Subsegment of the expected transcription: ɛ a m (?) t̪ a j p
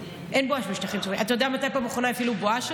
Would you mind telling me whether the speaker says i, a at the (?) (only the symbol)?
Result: a